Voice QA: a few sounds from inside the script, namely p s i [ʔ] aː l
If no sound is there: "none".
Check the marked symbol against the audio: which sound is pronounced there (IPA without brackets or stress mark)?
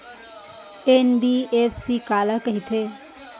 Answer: k